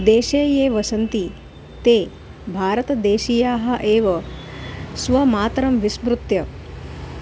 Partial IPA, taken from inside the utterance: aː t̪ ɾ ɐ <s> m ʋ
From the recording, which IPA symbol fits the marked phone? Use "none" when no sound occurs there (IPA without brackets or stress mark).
none